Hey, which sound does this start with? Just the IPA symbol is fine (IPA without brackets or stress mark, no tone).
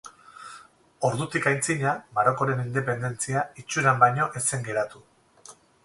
o̞